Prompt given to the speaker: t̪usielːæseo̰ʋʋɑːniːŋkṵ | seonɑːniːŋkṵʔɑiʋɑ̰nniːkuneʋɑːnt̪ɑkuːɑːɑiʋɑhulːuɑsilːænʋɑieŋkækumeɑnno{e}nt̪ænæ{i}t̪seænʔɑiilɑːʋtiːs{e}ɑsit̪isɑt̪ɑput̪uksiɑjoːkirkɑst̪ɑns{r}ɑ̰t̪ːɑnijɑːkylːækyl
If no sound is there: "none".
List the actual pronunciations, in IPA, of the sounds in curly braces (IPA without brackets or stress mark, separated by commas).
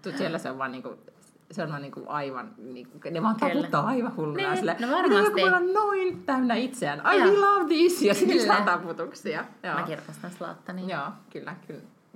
i, i, i, l